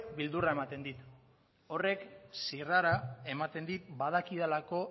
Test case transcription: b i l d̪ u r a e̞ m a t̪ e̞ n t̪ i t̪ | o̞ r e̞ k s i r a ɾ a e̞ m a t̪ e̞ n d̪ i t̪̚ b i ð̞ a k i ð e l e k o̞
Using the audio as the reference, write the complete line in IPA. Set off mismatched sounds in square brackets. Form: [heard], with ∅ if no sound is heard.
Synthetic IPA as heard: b i l d̪ u r a e̞ m a t̪ e̞ n [d̪] i t̪ | o̞ r e̞ k s i r a ɾ a e̞ m a t̪ e̞ n d̪ i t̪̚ b [a] ð̞ a k i ð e l [a] k o̞